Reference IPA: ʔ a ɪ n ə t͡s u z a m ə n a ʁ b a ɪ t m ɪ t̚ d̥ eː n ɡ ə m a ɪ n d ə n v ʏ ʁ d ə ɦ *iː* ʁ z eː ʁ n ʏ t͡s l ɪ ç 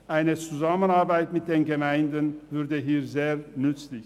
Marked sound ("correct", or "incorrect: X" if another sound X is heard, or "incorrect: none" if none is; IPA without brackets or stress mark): correct